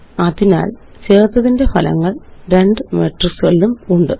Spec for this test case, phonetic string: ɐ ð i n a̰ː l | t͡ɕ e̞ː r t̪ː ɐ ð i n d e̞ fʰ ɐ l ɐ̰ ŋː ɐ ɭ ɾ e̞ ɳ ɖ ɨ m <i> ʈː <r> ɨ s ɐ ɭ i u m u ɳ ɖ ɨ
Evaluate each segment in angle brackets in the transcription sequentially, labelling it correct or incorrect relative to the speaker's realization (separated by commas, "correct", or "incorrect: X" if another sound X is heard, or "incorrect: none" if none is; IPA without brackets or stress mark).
incorrect: e, correct